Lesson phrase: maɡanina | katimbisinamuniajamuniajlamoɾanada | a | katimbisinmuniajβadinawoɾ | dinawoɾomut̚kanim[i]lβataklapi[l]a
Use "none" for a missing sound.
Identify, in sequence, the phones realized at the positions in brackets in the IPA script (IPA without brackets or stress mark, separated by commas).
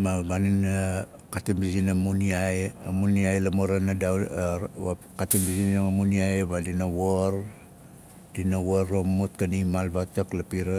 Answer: a, ɾ